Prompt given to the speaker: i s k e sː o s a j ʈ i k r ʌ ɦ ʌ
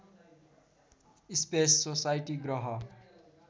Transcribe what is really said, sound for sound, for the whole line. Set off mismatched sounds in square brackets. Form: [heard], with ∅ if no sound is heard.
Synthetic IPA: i s [p] e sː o s a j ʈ i [ɡ] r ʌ ɦ ʌ